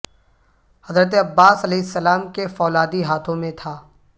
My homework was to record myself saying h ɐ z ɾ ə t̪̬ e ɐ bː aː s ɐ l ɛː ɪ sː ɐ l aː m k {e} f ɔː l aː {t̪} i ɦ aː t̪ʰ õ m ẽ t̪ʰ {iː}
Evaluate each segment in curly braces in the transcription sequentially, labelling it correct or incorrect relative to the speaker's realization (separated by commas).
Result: correct, incorrect, incorrect